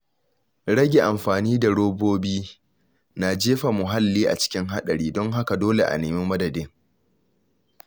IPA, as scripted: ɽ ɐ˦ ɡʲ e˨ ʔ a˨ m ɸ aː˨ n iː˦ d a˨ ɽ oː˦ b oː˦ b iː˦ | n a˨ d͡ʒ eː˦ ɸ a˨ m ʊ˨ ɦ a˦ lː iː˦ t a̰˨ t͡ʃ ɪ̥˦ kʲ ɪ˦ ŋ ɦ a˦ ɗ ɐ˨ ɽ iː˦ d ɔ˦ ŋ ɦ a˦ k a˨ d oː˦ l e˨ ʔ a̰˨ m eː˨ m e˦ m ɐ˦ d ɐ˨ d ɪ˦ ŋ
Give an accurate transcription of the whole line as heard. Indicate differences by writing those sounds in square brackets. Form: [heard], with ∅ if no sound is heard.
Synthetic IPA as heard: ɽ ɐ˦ ɡʲ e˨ ʔ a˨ m ɸ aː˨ n iː˦ d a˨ ɽ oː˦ b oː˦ b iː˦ | n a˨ d͡ʒ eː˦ ɸ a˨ m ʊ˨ ɦ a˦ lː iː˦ [ʔ] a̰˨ t͡ʃ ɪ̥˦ kʲ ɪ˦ ŋ ɦ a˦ ɗ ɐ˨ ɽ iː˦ d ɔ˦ ŋ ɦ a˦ k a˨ d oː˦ l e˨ ʔ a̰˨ [n] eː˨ m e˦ m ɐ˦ d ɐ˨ d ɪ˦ ŋ